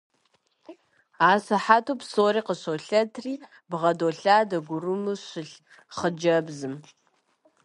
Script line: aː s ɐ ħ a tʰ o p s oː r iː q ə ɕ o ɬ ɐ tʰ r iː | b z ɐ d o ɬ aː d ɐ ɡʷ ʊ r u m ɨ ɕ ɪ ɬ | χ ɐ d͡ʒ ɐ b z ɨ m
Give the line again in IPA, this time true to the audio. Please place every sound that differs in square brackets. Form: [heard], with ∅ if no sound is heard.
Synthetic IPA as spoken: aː s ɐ ħ a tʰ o p s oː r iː q ə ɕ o ɬ ɐ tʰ r iː | b [ʁ] ɐ d o ɬ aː d ɐ ɡʷ ʊ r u m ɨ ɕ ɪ ɬ | χ [ə] d͡ʒ ɐ b z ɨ m

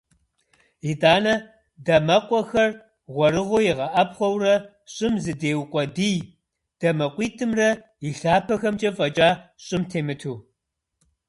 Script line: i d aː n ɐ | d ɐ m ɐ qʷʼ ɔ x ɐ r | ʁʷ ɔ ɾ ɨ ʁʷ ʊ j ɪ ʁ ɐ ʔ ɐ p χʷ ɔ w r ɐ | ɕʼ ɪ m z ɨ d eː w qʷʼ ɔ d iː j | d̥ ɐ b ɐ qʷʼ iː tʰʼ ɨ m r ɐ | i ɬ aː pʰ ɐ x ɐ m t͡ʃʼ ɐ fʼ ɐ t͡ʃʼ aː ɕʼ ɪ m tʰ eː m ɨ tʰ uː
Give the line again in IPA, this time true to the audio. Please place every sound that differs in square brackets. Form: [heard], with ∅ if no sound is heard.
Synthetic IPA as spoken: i d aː n ɐ | d ɐ m ɐ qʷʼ ɔ x ɐ r | ʁʷ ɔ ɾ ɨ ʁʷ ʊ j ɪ ʁ ɐ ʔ ɐ p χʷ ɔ w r ɐ | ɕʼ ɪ m z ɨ d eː w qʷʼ ɔ d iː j | d̥ ɐ [m] ɐ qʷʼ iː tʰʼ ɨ m r ɐ | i ɬ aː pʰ ɐ x ɐ m t͡ʃʼ ɐ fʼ ɐ t͡ʃʼ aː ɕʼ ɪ m tʰ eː m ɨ tʰ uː

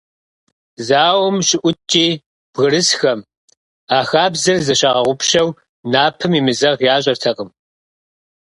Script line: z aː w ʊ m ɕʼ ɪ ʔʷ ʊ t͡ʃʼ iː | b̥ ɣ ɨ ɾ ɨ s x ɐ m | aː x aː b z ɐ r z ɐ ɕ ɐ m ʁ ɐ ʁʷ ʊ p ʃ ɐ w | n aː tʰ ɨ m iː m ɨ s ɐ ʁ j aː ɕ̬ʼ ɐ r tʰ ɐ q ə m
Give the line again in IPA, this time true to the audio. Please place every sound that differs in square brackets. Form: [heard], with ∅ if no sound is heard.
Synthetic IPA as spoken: z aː w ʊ m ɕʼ ɪ ʔʷ ʊ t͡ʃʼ iː | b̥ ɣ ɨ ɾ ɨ s x ɐ m | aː x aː b z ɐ r z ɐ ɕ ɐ [∅] ʁ ɐ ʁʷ ʊ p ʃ ɐ w | n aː [pʰ] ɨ m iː m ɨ [z] ɐ ʁ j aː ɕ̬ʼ ɐ r tʰ ɐ q ə m

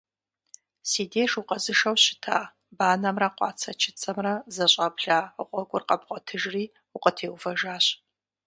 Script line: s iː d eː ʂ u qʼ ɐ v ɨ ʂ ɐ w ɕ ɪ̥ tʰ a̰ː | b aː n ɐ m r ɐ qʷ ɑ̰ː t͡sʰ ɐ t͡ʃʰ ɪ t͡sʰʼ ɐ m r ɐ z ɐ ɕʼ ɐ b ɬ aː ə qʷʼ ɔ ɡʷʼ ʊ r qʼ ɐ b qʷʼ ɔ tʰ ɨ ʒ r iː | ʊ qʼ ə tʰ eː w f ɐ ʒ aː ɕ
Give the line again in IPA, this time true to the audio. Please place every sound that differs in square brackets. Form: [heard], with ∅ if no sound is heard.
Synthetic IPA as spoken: s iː d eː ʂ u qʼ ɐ [z] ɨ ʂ ɐ w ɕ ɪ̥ tʰ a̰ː | b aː n ɐ m r ɐ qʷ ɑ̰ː t͡sʰ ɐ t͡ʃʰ ɪ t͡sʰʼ ɐ m r ɐ z ɐ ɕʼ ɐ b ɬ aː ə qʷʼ ɔ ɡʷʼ ʊ r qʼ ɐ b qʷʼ ɔ tʰ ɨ ʒ r iː | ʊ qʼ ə tʰ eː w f ɐ ʒ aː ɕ

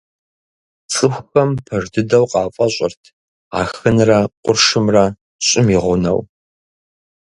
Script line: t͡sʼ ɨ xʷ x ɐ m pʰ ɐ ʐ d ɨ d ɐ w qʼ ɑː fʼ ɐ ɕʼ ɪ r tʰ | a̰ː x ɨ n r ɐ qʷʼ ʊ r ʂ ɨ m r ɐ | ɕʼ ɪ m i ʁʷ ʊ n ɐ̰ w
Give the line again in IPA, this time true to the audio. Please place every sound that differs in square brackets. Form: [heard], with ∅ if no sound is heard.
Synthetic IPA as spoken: t͡sʼ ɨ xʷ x ɐ m pʰ ɐ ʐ d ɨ d ɐ w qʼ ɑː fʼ ɐ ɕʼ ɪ r tʰ | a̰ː x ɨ n r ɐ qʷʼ ʊ r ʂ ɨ m r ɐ | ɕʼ ɪ m i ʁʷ ʊ n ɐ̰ w

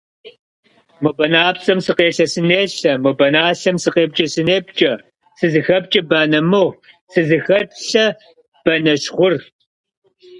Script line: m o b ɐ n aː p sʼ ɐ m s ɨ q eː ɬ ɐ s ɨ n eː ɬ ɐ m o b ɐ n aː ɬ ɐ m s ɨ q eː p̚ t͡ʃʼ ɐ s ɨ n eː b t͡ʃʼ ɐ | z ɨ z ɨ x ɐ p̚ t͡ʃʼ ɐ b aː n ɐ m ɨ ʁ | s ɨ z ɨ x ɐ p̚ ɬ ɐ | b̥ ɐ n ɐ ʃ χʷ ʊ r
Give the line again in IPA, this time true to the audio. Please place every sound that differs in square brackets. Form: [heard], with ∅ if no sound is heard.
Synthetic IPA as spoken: m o b ɐ n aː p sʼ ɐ m s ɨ q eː ɬ ɐ s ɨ n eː ɬ ɐ m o b ɐ n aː ɬ ɐ m s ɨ q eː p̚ t͡ʃʼ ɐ s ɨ n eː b t͡ʃʼ ɐ | [s] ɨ z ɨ x ɐ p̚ t͡ʃʼ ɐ b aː n ɐ m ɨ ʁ | s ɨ z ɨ x ɐ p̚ ɬ ɐ | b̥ ɐ n ɐ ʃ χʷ ʊ r

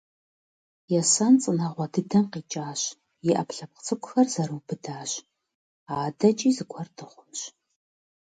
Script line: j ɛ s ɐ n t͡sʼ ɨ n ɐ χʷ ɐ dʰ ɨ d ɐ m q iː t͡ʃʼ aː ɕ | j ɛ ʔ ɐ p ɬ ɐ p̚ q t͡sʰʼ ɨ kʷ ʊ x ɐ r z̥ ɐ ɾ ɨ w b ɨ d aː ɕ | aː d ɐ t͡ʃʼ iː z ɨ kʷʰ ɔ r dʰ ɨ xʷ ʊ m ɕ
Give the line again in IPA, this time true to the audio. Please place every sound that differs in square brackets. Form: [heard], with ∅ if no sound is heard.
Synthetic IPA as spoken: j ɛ s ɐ n t͡sʼ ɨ n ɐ [ʁʷ] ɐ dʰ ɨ d ɐ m q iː t͡ʃʼ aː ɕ | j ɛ ʔ ɐ p ɬ ɐ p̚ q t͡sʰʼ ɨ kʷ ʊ x ɐ r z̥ ɐ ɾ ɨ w b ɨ d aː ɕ | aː d ɐ t͡ʃʼ iː z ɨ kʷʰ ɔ r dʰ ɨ [χʷ] ʊ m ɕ

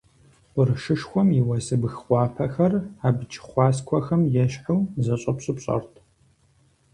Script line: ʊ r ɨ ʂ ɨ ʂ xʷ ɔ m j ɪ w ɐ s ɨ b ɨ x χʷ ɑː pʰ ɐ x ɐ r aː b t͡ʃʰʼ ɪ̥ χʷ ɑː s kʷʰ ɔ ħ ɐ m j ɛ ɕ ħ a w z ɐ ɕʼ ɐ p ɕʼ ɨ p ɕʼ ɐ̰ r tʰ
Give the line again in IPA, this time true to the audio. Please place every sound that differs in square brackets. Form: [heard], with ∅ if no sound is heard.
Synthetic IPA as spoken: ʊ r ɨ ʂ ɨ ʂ xʷ ɔ m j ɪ w ɐ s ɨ b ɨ x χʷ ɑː pʰ ɐ x ɐ r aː b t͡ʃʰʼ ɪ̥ χʷ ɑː s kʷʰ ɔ [x] ɐ m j ɛ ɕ ħ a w z ɐ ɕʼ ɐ p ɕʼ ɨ p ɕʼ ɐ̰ r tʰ

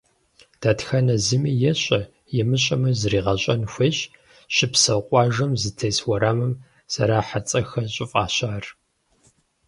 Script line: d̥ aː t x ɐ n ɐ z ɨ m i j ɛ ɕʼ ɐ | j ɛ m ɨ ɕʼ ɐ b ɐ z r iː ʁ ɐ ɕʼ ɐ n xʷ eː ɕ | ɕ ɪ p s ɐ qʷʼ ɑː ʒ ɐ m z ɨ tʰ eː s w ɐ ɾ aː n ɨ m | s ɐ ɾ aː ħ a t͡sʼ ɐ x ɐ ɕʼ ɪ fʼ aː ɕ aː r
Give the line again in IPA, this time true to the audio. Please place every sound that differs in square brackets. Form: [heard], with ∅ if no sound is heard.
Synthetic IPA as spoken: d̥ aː t x ɐ n ɐ z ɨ m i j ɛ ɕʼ ɐ | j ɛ m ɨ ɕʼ ɐ [m] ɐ z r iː ʁ ɐ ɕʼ ɐ n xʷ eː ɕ | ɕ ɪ p s ɐ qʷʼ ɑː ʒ ɐ m z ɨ tʰ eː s w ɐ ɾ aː [m] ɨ m | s ɐ ɾ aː ħ a t͡sʼ ɐ x ɐ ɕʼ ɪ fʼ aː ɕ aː r

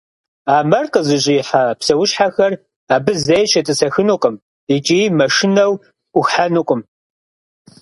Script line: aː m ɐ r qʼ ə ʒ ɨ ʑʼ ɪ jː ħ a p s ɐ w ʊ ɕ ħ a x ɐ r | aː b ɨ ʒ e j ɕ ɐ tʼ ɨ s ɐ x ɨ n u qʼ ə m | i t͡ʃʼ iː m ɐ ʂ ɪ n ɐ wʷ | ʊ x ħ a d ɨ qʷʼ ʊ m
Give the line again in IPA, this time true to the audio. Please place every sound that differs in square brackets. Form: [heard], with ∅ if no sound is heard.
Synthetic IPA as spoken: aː m ɐ r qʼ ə [z] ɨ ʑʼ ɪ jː ħ a p s ɐ w ʊ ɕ ħ a x ɐ r | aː b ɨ [z] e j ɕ ɐ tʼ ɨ s ɐ x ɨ n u qʼ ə m | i t͡ʃʼ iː m ɐ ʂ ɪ n ɐ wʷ | ʊ x ħ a [n] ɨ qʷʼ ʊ m

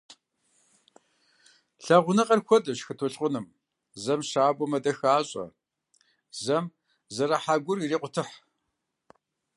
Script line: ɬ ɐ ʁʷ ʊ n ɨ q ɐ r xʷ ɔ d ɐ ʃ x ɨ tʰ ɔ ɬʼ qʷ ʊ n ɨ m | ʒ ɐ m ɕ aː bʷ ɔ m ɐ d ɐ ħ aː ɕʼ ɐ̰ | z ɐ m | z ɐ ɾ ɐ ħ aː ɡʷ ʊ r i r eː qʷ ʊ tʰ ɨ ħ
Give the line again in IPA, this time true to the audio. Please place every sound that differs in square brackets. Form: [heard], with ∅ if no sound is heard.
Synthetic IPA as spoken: ɬ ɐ ʁʷ ʊ n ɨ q ɐ r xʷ ɔ d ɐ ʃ x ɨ tʰ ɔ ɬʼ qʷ ʊ n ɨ m | [z] ɐ m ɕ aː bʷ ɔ m ɐ d ɐ [x] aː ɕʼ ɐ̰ | z ɐ m | z ɐ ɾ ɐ ħ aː ɡʷ ʊ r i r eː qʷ ʊ tʰ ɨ ħ

